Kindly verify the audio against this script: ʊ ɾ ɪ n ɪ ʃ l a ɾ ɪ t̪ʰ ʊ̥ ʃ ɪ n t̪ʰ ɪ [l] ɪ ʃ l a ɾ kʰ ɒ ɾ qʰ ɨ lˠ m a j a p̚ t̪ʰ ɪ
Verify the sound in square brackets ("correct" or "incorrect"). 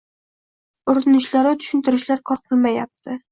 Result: incorrect